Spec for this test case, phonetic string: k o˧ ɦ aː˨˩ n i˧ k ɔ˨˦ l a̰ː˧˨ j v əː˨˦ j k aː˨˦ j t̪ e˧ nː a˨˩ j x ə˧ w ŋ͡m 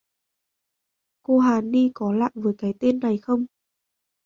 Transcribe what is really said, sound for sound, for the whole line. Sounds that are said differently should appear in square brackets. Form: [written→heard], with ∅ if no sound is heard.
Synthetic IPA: k o˧ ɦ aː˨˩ n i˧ k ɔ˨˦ l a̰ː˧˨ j v əː˨˦ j k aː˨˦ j t̪ e˧ nː a˨˩ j x ə˧ w ŋ͡m

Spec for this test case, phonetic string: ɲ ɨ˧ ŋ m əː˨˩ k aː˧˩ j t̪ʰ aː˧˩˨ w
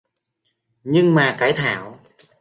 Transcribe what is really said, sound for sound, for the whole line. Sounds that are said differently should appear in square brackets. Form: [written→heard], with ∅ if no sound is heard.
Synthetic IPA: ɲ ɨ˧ ŋ m [əː˨˩→aː˨˩] k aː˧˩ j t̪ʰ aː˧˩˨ w

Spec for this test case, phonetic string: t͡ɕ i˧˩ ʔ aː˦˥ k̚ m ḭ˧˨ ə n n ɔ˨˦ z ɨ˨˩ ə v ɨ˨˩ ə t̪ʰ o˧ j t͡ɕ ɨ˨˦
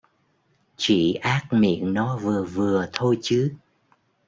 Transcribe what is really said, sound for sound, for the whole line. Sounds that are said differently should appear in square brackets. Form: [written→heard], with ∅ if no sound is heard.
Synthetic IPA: t͡ɕ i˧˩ ʔ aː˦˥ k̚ m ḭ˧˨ ə n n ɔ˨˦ [z→v] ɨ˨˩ ə v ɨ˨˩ ə t̪ʰ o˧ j t͡ɕ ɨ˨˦

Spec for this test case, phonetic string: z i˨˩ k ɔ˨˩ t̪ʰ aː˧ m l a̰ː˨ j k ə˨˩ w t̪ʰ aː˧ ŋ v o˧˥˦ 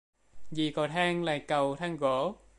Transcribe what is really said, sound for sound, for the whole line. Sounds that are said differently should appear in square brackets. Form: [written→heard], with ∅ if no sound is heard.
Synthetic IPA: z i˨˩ k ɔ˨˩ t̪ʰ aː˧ [m→ŋ] l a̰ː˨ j k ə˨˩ w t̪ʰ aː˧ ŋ [v→ɣ] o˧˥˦

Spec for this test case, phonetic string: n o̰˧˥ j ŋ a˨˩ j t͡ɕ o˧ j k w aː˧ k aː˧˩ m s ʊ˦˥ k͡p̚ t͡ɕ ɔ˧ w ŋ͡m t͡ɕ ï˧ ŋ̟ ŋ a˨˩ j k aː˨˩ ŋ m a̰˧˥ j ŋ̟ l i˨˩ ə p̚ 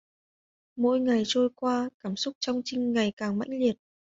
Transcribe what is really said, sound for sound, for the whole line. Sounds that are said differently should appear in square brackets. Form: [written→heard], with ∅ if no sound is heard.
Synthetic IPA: [n→m] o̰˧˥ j ŋ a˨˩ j t͡ɕ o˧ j k w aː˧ k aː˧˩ m s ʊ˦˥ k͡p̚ t͡ɕ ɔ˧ w ŋ͡m t͡ɕ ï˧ ŋ̟ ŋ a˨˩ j k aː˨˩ ŋ m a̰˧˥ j ŋ̟ l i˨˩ ə [p̚→t̚]

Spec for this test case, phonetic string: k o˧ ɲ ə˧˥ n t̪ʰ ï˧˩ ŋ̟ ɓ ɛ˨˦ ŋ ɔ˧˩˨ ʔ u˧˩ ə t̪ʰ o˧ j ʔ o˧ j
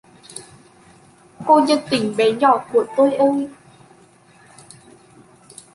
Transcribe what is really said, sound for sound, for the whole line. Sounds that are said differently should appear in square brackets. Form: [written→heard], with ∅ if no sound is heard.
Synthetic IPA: k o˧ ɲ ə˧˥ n [t̪ʰ→t̪] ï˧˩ ŋ̟ ɓ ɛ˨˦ [ŋ→ɲ] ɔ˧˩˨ [ʔ→k] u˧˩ ə [t̪ʰ→t̪] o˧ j ʔ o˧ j

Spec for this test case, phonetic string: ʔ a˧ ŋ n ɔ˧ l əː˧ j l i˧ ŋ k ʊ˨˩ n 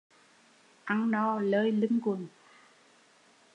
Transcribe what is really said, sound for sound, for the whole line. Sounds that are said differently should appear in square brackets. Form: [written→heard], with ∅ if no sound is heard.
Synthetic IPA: ʔ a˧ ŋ n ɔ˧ l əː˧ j l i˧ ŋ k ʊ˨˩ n

